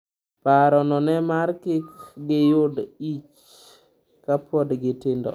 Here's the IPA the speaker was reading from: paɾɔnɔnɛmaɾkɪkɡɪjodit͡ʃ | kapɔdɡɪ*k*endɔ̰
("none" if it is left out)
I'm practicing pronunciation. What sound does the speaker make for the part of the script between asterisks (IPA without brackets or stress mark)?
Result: t